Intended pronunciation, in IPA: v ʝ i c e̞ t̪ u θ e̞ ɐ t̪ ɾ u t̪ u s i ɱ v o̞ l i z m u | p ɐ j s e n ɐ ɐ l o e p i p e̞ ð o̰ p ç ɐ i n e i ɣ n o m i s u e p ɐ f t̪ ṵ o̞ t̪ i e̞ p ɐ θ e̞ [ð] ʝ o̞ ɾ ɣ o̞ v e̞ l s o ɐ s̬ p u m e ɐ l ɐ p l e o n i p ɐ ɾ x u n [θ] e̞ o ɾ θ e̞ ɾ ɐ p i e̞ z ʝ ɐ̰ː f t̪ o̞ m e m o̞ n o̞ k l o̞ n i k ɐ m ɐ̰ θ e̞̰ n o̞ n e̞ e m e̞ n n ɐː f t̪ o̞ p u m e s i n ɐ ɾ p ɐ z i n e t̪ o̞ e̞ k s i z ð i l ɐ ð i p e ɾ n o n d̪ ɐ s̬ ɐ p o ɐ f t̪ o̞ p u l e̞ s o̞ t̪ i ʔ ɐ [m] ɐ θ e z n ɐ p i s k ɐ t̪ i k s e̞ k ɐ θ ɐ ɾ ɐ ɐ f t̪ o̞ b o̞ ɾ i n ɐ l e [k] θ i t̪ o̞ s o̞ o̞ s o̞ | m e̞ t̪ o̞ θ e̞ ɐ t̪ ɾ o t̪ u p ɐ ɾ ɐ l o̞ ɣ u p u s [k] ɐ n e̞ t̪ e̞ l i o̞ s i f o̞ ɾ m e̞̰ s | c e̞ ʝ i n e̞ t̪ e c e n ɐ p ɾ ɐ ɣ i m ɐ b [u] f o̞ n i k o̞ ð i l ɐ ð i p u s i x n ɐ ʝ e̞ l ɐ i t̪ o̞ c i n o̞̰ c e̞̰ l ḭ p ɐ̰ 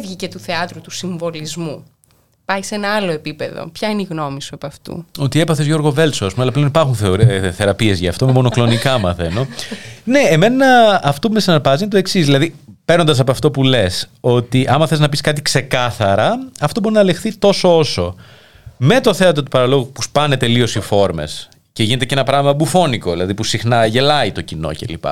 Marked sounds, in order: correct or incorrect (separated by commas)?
incorrect, correct, correct, incorrect, incorrect, correct